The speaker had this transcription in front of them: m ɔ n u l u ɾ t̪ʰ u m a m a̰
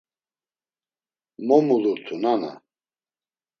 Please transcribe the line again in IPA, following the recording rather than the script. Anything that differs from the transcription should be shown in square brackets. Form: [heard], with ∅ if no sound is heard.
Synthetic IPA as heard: m ɔ [m] u l u ɾ t̪ʰ u [n] a [n] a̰